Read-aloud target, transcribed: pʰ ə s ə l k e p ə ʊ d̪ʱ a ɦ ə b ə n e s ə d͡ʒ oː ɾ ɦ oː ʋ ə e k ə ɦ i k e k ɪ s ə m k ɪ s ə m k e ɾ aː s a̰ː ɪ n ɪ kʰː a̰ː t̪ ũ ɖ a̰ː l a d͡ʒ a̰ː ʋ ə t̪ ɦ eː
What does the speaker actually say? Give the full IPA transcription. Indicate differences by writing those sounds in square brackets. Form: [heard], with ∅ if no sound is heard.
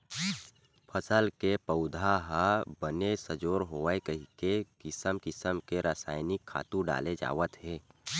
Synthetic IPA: pʰ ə s ə l k e p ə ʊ d̪ʱ a ɦ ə b ə n e s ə d͡ʒ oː ɾ ɦ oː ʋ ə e k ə ɦ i k e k ɪ s ə m k ɪ s ə m k e ɾ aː s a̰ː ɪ n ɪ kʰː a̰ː t̪ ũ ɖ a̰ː l [e] d͡ʒ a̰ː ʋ ə t̪ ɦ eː